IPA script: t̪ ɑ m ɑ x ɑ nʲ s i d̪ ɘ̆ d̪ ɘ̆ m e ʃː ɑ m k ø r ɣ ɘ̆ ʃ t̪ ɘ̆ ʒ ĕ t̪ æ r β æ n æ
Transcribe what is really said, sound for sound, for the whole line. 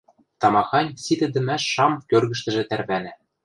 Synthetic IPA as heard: t̪ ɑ m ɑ x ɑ nʲ s i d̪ ɘ̆ d̪ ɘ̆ m æ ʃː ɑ m k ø r ɣ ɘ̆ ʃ t̪ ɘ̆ ʒ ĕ t̪ æ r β æ n æ

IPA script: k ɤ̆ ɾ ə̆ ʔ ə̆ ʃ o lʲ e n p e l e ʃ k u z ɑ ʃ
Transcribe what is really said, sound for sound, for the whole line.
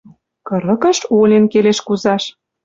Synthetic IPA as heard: k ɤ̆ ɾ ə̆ k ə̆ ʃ o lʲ e n k e l e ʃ k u z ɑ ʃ

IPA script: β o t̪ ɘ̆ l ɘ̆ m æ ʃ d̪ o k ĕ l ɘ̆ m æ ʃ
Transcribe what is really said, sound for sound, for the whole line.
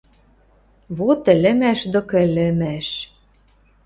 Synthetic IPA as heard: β o t̪ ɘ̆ l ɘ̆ m æ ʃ d̪ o k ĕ l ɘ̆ m æ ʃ

